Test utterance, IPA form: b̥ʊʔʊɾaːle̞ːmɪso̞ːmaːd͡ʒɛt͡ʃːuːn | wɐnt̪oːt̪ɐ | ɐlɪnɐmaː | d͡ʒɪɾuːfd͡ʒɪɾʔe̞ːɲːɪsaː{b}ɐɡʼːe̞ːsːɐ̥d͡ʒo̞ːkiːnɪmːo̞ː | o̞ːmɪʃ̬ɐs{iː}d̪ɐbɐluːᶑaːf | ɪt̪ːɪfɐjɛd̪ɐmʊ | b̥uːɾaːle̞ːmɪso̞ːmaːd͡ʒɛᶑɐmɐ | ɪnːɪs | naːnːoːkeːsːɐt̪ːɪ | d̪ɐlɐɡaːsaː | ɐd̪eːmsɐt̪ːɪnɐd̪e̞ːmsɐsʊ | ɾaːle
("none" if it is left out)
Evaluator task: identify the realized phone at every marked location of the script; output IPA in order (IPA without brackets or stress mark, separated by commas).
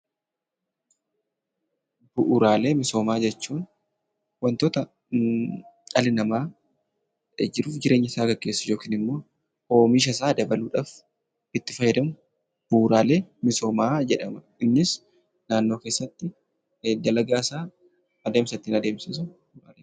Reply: ɡ, aː